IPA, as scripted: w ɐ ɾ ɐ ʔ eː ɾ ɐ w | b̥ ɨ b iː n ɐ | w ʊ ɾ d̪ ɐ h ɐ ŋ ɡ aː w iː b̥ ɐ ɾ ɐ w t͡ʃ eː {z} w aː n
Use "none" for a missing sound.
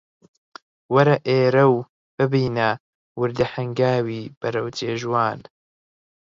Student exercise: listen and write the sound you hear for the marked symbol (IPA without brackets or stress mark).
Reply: ʒ